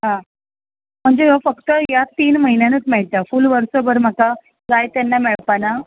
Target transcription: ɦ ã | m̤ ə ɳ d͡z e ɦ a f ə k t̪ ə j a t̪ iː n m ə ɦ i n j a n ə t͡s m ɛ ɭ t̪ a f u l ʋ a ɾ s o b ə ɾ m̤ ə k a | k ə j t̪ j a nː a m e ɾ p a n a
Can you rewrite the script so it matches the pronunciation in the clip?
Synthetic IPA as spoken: ɦ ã | m̤ ə ɳ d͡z e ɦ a f ə k t̪ ə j a t̪ iː n m ə ɦ i n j a n ə t͡s m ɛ ɭ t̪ a f u l ʋ ə ɾ s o b ə ɾ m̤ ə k a | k a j t̪ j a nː a m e ɭ p a n a